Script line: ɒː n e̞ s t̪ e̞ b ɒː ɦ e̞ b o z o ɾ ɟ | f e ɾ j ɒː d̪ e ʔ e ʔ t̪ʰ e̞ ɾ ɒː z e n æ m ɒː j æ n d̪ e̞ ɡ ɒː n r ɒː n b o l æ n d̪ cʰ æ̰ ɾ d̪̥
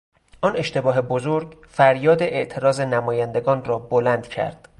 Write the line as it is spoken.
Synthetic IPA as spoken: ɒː n e̞ ʃ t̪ e̞ b ɒː ɦ e̞ b o z o ɾ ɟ | f æ ɾ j ɒː d̪ e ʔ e ʔ t̪ʰ e̞ ɾ ɒː z e n æ m ɒː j æ n d̪ e̞ ɡ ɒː n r ɒː b o l æ n d̪ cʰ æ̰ ɾ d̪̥